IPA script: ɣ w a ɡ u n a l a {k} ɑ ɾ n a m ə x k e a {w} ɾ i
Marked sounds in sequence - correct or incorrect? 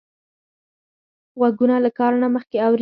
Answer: correct, correct

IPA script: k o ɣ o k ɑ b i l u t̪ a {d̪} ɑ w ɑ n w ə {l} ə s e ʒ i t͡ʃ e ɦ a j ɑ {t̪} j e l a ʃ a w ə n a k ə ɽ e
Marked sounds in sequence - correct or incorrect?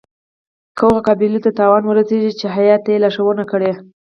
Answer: incorrect: t̪, incorrect: ɾ, correct

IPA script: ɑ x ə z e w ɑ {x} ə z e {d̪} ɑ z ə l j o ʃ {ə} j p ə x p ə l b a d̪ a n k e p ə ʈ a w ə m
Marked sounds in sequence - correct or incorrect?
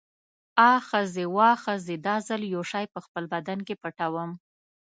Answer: correct, correct, incorrect: ɑ

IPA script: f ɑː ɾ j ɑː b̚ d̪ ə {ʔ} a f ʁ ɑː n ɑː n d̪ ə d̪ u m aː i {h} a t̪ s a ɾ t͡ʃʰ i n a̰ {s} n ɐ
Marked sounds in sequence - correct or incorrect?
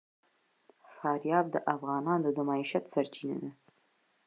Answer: correct, incorrect: ʃ, incorrect: none

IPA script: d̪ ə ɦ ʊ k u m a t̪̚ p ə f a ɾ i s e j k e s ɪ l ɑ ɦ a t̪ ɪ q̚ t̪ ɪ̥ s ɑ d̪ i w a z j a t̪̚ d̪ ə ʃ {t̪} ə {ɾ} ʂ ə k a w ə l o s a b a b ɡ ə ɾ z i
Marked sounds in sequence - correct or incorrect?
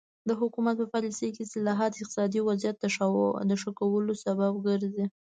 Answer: incorrect: d̪, incorrect: none

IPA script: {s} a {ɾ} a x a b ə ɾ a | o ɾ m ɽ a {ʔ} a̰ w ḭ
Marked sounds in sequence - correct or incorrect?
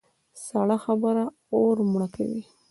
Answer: correct, incorrect: ɽ, incorrect: k

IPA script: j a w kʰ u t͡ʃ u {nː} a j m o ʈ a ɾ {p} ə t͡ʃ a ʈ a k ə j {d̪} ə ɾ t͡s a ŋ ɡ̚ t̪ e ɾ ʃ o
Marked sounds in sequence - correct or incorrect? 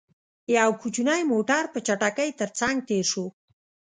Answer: incorrect: n, correct, incorrect: t̪

